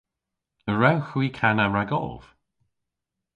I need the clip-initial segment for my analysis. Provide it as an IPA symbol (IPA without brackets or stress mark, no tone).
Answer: ə